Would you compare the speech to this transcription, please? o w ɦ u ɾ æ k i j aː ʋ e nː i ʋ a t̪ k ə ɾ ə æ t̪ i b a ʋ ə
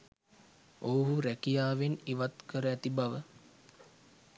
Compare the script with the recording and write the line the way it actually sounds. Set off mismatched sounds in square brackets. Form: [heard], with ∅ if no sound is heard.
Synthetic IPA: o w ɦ u ɾ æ k i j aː ʋ e [n] i ʋ a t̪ k ə ɾ ə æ t̪ i b a ʋ ə